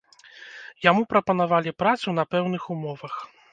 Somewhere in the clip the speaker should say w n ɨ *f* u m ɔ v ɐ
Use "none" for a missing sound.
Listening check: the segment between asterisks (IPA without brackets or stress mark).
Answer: x